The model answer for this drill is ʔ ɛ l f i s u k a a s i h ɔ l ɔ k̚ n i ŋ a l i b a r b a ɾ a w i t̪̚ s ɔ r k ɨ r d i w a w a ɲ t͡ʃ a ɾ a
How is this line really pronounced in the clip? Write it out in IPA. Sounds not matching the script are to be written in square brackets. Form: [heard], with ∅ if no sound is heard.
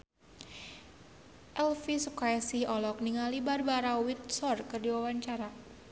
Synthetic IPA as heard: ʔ ɛ l f i s u k a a s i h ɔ l ɔ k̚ n i ŋ a l i b a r b a ɾ a w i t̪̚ s ɔ r k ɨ r d i w a w a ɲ t͡ʃ a ɾ a